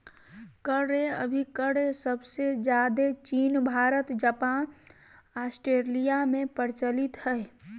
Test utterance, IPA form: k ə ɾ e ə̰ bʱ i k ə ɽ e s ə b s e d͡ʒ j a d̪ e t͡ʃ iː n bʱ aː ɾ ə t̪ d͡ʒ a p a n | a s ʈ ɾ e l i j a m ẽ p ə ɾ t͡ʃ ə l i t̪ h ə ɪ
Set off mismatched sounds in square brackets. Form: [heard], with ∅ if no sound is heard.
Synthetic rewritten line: k ə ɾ e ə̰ bʱ i k ə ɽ e s ə b s e d͡ʒ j a d̪ e t͡ʃ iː n bʱ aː ɾ ə t̪ d͡ʒ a p a n | a s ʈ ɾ e l i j a m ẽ p ə ɾ t͡ʃ ə l i t̪ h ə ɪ